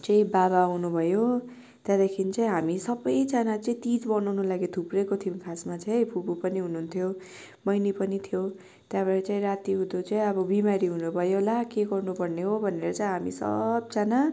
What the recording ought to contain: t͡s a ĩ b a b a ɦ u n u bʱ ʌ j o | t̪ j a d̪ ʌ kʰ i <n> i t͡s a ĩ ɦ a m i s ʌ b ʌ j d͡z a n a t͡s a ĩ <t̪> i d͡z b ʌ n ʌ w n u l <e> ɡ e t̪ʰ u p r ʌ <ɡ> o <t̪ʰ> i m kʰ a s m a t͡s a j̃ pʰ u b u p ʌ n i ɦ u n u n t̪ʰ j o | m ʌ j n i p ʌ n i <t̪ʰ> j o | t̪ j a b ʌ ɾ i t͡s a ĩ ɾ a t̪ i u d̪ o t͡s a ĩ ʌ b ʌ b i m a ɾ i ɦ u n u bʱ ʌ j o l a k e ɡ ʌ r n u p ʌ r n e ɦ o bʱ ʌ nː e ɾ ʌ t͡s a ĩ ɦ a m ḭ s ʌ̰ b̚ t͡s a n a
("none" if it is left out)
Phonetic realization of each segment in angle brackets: n, t̪, a, k, t̪ʰ, t̪ʰ

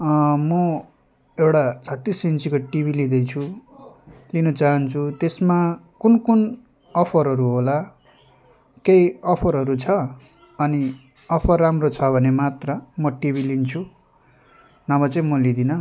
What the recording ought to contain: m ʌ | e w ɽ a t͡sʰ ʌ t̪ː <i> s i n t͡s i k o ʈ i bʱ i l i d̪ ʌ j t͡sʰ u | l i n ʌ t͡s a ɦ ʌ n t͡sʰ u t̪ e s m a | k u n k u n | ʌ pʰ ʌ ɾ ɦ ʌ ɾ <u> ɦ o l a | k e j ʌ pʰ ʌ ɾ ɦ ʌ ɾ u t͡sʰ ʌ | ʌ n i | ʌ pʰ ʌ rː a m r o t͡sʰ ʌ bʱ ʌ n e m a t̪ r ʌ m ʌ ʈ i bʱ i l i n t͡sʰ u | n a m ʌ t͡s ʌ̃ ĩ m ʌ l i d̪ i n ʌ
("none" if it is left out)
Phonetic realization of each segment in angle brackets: i, u

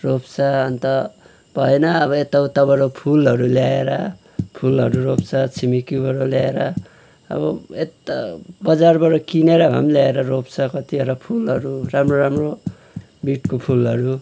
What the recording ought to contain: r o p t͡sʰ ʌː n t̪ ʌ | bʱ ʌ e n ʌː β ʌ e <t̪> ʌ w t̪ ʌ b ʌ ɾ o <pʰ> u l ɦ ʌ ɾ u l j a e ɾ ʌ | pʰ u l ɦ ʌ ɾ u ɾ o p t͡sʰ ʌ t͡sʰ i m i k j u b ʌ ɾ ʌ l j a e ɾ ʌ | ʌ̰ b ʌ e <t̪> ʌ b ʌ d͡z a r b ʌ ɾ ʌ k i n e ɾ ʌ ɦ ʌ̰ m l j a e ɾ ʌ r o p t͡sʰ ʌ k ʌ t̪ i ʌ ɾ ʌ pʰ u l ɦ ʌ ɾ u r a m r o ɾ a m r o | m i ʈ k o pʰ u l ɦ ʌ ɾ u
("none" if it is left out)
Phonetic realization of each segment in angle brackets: t̪, pʰ, t̪

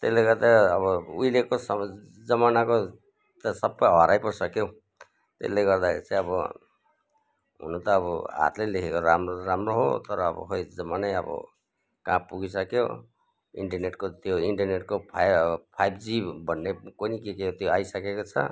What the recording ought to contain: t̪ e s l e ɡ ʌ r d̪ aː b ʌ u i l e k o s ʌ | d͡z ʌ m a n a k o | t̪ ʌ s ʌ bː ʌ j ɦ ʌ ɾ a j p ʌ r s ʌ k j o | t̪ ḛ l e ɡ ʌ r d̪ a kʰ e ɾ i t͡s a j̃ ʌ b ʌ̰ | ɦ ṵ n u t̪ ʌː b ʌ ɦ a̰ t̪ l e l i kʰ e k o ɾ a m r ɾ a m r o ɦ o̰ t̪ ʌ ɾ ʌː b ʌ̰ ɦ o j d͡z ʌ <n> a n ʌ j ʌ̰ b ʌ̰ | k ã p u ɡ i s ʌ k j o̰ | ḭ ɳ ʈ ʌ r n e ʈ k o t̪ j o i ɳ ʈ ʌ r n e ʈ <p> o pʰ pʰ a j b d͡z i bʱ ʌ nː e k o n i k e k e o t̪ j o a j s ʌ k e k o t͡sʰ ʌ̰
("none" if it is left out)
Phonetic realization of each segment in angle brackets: m, k

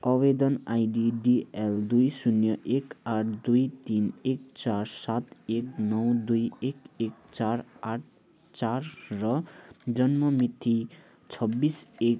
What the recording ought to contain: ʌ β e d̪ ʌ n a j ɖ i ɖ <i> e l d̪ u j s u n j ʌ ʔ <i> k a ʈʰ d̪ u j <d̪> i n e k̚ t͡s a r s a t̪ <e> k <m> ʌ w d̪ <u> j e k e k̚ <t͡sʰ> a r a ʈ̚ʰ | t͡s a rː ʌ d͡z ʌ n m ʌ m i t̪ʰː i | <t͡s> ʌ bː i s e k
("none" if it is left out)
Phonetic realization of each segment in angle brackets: i, e, t̪, e, n, u, t͡s, t͡sʰ

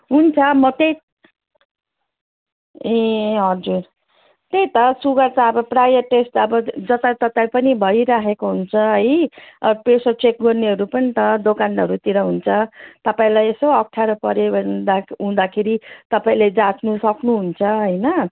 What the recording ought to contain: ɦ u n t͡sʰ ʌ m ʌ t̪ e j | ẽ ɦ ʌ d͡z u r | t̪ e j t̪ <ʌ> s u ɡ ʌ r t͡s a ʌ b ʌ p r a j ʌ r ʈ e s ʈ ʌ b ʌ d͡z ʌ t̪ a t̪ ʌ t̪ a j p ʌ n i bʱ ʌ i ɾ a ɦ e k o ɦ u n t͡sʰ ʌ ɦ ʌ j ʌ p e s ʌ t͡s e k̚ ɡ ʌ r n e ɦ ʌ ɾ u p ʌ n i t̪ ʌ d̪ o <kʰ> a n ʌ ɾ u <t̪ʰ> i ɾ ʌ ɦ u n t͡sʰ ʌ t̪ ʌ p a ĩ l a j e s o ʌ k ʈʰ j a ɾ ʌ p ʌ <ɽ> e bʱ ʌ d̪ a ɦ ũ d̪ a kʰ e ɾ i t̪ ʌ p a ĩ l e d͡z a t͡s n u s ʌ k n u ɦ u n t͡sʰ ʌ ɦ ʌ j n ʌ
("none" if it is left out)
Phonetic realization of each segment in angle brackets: ʌ, k, t̪, ɾ

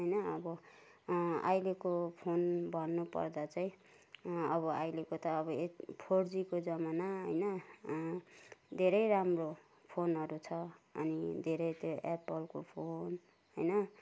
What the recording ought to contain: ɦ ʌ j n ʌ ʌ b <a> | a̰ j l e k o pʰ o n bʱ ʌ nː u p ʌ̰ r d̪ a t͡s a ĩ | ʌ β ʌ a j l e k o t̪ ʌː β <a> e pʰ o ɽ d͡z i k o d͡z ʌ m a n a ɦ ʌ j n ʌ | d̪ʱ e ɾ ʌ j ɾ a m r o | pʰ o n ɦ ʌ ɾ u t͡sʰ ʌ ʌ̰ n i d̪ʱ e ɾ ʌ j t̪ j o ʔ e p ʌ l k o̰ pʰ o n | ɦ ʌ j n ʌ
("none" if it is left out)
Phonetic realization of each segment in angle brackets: ʌ, ʌ

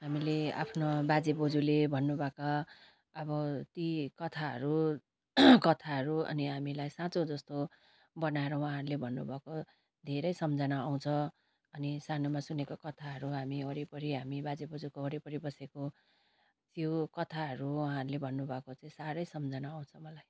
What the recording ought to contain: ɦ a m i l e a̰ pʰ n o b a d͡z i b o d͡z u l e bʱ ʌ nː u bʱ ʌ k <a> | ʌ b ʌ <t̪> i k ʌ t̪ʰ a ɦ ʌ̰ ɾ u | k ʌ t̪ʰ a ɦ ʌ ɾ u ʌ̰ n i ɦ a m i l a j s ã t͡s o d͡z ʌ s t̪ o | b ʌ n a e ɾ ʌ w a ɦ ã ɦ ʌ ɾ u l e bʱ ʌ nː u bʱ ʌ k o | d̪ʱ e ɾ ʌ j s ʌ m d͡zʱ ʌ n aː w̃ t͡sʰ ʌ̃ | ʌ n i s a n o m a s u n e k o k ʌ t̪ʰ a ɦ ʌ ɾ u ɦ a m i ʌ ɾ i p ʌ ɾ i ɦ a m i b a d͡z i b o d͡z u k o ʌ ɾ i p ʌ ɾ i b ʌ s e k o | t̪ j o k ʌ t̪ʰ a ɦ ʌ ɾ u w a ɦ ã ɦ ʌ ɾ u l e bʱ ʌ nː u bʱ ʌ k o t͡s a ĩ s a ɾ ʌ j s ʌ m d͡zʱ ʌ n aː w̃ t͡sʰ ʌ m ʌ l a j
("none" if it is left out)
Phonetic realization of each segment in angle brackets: a, t̪

